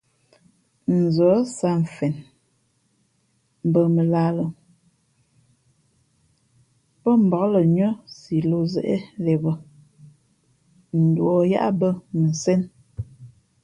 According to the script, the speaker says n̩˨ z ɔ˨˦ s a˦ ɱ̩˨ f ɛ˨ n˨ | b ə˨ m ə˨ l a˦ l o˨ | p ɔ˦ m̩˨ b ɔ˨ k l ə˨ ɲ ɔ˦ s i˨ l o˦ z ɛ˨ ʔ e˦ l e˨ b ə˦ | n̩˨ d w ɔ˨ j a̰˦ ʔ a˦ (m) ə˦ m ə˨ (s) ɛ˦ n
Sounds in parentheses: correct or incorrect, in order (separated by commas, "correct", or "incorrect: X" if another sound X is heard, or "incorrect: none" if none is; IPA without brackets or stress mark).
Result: incorrect: b, correct